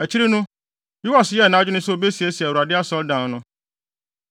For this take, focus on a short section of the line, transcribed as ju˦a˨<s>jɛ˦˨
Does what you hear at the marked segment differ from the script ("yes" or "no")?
no